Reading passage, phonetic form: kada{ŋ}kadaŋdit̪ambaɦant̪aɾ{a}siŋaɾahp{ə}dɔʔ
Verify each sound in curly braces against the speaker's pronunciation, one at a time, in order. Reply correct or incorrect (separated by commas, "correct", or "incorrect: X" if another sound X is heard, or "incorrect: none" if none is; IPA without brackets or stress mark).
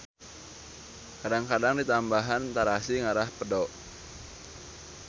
correct, correct, correct